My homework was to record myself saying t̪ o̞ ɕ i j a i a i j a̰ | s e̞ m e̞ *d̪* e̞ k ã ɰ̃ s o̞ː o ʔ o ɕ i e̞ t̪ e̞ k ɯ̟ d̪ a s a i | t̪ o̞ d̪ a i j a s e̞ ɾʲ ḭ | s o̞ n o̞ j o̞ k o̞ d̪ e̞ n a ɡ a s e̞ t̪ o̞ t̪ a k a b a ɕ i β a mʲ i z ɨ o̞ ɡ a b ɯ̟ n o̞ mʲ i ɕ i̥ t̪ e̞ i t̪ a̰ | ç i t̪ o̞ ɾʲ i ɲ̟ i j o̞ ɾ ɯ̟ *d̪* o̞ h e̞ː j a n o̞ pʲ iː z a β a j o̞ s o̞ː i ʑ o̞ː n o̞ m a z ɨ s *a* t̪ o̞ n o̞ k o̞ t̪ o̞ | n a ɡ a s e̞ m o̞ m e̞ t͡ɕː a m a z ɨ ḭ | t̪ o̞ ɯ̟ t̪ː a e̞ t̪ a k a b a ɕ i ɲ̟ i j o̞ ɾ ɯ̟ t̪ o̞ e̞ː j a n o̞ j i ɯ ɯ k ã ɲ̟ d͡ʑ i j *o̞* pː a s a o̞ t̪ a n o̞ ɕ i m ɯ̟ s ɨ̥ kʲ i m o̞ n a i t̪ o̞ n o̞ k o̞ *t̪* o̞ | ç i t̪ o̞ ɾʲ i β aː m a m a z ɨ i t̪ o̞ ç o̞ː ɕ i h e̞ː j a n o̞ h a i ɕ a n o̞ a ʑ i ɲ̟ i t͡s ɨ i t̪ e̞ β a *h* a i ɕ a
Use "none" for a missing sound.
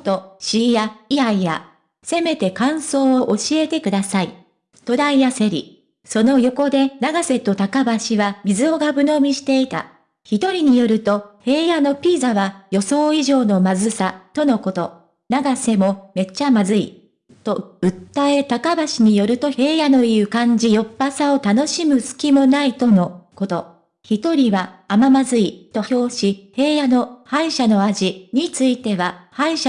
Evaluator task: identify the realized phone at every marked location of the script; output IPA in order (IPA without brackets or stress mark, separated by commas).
t̪, t̪, a, o̞, t̪, h